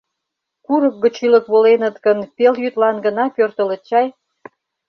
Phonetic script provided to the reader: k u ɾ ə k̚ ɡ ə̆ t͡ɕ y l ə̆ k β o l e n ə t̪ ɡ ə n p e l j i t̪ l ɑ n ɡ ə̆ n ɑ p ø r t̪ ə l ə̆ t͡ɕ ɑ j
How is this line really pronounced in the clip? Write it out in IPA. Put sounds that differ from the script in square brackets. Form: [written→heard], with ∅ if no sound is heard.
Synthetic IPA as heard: k u ɾ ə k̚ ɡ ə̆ t͡ɕ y l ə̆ k β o l e n ə t̪ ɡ ə n p e l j [i→y] t̪ l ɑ n ɡ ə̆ n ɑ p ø r t̪ ə l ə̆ t͡ɕ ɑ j

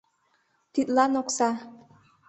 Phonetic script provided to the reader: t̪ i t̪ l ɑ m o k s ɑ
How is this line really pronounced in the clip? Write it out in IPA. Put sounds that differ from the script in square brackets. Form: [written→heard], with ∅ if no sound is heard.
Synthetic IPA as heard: t̪ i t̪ l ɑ [m→n] o k s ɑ

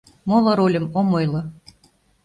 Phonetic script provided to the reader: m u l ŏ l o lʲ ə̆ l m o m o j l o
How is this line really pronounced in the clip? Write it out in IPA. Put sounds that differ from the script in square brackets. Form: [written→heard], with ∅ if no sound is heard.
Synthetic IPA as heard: m [u→o] l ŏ [l→ɾ] o lʲ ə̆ [l→∅] m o m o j l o

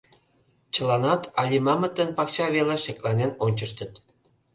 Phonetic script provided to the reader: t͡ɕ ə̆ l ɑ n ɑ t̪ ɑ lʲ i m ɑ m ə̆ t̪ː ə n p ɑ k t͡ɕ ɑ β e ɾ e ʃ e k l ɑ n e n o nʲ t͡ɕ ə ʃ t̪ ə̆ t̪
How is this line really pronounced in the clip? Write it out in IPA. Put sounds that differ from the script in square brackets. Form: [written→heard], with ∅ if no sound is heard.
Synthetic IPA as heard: t͡ɕ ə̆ l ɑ n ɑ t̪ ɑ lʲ i m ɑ m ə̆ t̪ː ə n p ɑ k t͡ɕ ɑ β e [ɾ→l] e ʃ e k l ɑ n e n o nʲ t͡ɕ ə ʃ t̪ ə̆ t̪

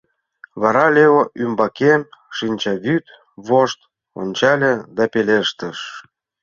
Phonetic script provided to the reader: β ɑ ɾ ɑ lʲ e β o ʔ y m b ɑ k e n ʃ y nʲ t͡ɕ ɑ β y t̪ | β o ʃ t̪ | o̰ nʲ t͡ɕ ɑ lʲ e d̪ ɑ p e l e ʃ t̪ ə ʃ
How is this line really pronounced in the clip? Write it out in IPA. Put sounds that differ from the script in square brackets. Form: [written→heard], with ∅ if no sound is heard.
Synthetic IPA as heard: β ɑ ɾ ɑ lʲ e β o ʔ y m b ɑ k e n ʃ [y→i] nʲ t͡ɕ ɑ β y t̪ | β o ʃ t̪ | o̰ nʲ t͡ɕ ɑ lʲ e d̪ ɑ p e l e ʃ t̪ ə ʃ

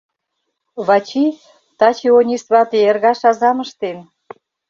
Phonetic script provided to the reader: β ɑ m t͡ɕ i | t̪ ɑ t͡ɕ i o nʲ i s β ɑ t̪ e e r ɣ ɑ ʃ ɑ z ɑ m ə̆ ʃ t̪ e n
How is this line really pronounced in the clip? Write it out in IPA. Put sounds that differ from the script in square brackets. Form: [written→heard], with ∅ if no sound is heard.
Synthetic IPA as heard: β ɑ [m→∅] t͡ɕ i | t̪ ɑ t͡ɕ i o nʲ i s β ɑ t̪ e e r ɣ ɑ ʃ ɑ z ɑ m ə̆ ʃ t̪ e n

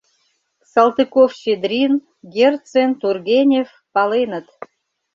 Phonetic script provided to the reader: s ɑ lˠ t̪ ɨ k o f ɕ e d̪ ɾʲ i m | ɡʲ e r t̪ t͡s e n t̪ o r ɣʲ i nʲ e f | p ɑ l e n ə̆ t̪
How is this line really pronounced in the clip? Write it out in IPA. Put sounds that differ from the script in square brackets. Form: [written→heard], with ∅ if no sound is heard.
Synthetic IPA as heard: s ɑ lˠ t̪ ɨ k o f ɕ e d̪ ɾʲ i [m→n] | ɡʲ e r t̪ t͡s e n t̪ [o→u] r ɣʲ [i→e] nʲ e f | p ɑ l e n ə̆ t̪

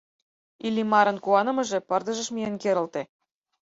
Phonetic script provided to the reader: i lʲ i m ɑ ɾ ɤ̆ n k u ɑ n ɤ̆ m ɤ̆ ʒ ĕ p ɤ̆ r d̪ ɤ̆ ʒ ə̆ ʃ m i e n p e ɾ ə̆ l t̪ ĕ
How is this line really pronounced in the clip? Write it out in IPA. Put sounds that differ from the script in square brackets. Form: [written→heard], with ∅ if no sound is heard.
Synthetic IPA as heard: i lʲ i m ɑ ɾ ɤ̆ n k u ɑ n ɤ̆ m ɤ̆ ʒ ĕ p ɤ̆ r d̪ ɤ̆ ʒ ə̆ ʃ m i e n [p→k] e ɾ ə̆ l t̪ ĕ

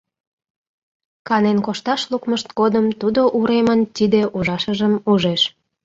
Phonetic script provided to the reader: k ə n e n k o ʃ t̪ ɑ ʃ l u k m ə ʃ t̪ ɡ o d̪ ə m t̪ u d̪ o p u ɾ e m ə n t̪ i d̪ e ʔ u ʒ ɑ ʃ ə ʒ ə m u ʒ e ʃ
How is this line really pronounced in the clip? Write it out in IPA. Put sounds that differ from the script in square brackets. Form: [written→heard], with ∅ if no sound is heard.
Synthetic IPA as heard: k [ə→ɑ] n e n k o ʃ t̪ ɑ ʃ l u k m ə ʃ t̪ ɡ o d̪ ə m t̪ u d̪ o [p→ʔ] u ɾ e m ə n t̪ i d̪ e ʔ u ʒ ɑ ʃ ə ʒ ə m u ʒ e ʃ

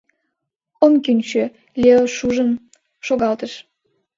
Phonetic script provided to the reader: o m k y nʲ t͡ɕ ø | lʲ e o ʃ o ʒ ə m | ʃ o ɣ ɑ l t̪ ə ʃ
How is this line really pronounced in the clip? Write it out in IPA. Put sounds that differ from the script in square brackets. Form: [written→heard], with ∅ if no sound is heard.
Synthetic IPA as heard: o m k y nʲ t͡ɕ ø | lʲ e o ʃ [o→u] ʒ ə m | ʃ o ɣ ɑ l t̪ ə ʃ

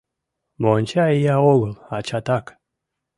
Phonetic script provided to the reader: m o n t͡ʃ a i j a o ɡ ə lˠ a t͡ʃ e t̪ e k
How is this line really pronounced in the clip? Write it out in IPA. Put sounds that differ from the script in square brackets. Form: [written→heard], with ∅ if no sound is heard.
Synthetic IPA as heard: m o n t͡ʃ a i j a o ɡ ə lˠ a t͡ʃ [e→a] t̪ [e→a] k

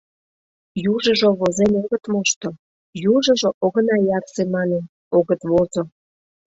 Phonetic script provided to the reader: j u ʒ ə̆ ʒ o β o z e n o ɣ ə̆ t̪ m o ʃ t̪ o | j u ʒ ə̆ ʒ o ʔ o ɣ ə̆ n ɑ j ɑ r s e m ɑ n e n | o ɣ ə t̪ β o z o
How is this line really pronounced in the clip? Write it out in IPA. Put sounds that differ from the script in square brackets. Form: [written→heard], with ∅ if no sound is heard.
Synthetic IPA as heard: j u ʒ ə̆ ʒ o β o z e n o ɣ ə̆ t̪ m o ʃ t̪ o | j u ʒ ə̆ ʒ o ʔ o ɣ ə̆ n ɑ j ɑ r s e m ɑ n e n | o ɣ ə t̪ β o z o

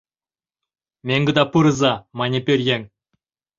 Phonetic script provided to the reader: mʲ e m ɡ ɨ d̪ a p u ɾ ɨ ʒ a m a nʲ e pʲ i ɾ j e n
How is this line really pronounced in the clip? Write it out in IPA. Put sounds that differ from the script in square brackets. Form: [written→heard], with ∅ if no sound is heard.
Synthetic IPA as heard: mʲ e [m→ŋ] ɡ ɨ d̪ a p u ɾ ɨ [ʒ→z] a m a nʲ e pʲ [i→e] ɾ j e [n→ŋ]

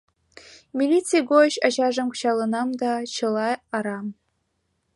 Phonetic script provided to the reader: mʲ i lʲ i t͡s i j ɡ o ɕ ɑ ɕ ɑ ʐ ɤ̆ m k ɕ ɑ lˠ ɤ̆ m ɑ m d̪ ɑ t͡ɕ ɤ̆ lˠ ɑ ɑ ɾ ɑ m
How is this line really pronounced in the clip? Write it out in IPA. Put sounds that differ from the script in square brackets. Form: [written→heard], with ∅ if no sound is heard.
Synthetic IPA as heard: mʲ i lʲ i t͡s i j ɡ o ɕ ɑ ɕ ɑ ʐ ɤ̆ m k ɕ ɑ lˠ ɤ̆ [m→n] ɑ m d̪ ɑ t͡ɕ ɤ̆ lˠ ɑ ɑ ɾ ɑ m

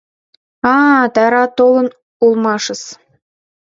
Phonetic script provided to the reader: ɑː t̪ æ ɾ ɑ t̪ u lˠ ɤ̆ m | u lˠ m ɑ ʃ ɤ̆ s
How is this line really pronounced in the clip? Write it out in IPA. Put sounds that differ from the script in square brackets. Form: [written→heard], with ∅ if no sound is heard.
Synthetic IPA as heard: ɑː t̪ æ ɾ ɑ t̪ [u→o] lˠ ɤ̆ [m→n] | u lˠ m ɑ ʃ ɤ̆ s

